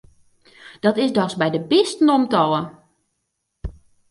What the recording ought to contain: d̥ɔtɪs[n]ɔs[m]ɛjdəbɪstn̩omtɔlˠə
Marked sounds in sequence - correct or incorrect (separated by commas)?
incorrect, incorrect